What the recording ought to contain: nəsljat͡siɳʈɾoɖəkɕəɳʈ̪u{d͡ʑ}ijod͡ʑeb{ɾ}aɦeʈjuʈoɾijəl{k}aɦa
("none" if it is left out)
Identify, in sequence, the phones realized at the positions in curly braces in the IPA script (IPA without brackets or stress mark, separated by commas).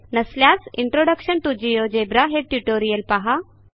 d͡ʑ, ɾ, p